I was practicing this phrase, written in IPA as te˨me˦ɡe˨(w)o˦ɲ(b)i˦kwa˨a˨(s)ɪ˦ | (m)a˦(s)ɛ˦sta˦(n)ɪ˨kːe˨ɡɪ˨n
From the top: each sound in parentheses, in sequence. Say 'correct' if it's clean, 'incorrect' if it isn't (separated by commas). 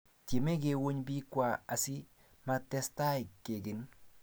correct, correct, correct, correct, incorrect, incorrect